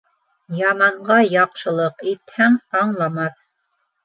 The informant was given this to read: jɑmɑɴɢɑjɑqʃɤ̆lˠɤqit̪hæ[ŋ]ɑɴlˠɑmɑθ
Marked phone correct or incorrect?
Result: correct